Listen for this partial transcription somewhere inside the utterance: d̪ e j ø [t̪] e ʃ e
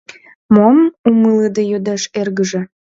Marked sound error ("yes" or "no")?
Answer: yes